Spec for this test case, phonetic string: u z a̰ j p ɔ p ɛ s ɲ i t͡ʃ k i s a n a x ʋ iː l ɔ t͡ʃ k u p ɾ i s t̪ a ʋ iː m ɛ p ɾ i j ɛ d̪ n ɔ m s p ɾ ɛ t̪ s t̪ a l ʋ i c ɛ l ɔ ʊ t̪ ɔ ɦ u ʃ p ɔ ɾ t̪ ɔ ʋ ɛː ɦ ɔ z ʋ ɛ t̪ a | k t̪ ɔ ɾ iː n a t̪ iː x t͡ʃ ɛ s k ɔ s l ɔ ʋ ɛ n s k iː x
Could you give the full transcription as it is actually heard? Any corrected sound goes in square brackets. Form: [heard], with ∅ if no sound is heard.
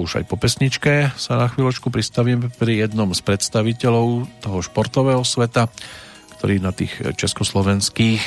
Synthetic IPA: u [ʒ] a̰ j p ɔ p ɛ s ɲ i t͡ʃ k [ɛ] s a n a x ʋ iː l ɔ t͡ʃ k u p ɾ i s t̪ a ʋ iː m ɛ p ɾ i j ɛ d̪ n ɔ m s p ɾ ɛ t̪ s t̪ a [∅] ʋ i c ɛ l ɔ ʊ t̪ ɔ ɦ [ɔ] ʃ p ɔ ɾ t̪ ɔ ʋ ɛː ɦ ɔ [s] ʋ ɛ t̪ a | k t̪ ɔ ɾ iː n a t̪ iː x t͡ʃ ɛ s k ɔ s l ɔ ʋ ɛ n s k iː x